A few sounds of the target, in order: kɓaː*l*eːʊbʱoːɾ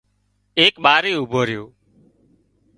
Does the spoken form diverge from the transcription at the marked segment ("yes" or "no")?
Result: yes